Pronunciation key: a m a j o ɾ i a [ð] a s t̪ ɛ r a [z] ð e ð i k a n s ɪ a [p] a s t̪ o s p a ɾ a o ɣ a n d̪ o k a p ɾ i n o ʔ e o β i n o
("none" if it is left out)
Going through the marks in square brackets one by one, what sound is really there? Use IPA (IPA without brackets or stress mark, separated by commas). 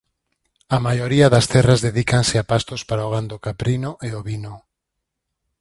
ð, z, p